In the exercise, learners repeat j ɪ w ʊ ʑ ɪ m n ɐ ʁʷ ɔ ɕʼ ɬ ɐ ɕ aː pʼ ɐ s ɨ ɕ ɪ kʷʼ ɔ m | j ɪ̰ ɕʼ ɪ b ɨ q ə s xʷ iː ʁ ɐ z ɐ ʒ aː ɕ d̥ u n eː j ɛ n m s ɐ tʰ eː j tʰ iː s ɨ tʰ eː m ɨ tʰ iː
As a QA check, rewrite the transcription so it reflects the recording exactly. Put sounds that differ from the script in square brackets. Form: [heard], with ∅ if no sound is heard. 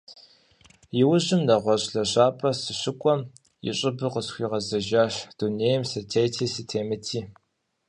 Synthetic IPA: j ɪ w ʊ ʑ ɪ m n ɐ ʁʷ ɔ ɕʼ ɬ ɐ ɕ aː pʼ ɐ s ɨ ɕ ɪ kʷʼ ɔ m | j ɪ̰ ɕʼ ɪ b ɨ q ə s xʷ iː ʁ ɐ z ɐ ʒ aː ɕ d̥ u n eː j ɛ [∅] m s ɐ tʰ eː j tʰ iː s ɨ tʰ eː m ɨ tʰ iː

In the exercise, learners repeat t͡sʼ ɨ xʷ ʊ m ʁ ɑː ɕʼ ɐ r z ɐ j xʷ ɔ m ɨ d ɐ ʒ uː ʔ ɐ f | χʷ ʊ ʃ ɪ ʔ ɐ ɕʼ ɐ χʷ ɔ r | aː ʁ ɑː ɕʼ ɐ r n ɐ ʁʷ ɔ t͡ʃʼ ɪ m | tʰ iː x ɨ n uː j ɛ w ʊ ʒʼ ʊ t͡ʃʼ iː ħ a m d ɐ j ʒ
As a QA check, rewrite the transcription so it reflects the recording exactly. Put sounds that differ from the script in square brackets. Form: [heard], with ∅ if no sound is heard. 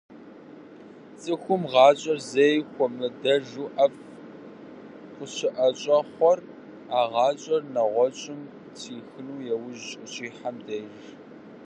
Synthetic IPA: t͡sʼ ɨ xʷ ʊ m ʁ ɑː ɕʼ ɐ r z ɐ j xʷ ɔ m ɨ d ɐ ʒ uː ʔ ɐ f | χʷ ʊ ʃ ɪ ʔ ɐ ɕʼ ɐ χʷ ɔ r | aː ʁ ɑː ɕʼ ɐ r n ɐ ʁʷ ɔ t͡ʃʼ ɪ m | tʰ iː x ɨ n uː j ɛ w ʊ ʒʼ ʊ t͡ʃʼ iː ħ a m d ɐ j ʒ

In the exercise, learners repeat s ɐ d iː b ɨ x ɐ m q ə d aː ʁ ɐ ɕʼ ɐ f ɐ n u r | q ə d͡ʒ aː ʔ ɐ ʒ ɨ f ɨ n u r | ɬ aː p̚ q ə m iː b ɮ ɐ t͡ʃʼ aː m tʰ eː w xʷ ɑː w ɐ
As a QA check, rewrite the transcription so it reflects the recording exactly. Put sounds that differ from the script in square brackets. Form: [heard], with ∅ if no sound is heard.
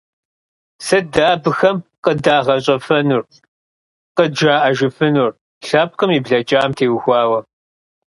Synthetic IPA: s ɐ d [aː] b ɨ x ɐ m q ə d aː ʁ ɐ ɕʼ ɐ f ɐ n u r | q ə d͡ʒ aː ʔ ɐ ʒ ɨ f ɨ n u r | ɬ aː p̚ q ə m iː b ɮ ɐ t͡ʃʼ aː m tʰ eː w xʷ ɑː w ɐ

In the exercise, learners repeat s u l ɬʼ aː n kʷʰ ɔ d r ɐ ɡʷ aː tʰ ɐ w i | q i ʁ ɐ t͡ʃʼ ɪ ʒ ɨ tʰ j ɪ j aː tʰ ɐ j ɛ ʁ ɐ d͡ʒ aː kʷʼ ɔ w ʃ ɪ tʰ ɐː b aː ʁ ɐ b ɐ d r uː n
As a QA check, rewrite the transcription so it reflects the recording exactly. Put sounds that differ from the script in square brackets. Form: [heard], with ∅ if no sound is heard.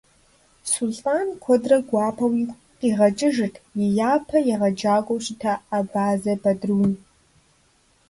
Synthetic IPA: s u l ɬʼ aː n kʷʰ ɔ d r ɐ ɡʷ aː [pʰ] ɐ w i | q i ʁ ɐ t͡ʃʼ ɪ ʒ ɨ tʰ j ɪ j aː [pʰ] ɐ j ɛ ʁ ɐ d͡ʒ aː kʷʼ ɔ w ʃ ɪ tʰ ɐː b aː [z] ɐ b ɐ d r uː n

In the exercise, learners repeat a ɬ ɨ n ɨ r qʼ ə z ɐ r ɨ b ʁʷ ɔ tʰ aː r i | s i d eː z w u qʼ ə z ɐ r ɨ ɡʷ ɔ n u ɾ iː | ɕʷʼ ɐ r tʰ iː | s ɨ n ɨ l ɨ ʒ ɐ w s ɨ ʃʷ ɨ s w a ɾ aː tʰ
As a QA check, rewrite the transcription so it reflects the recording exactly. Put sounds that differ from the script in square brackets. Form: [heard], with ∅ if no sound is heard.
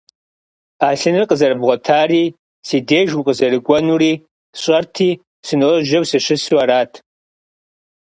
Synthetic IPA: a ɬ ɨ n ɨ r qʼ ə z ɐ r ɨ b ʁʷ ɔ tʰ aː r i | s i d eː [ʒ] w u qʼ ə z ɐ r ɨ ɡʷ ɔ n u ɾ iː | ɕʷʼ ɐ r tʰ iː | s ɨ n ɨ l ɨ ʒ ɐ w s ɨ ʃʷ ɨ s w a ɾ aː tʰ

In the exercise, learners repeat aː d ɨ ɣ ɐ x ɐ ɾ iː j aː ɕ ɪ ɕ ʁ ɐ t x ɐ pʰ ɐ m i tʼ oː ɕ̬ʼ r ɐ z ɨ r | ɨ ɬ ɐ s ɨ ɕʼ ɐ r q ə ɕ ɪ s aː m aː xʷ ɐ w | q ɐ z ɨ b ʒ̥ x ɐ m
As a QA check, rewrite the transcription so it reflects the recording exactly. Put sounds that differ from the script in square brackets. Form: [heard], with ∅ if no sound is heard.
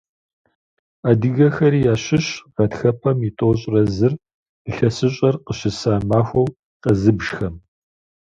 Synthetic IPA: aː d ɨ ɣ ɐ x ɐ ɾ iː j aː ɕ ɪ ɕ ʁ ɐ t x ɐ pʰ ɐ m i tʼ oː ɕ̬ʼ r ɐ z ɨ r | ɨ ɬ ɐ s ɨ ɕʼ ɐ r q ə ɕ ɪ s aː m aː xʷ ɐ w | q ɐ z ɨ b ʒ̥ x ɐ m

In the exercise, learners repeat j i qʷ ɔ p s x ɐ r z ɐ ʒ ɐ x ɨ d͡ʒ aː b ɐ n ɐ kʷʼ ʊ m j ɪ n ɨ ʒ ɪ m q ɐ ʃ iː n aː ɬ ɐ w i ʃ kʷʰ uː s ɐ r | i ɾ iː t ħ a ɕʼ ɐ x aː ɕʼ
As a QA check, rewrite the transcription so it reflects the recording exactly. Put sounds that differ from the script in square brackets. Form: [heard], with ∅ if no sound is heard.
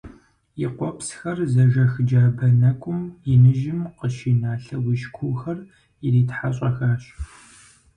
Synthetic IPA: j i qʷ ɔ p s x ɐ r z ɐ ʒ ɐ x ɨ d͡ʒ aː b ɐ n ɐ kʷʼ ʊ m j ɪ n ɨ ʒ ɪ m q [ə] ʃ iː n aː ɬ ɐ w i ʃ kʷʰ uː [x] ɐ r | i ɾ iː t ħ a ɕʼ ɐ x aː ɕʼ

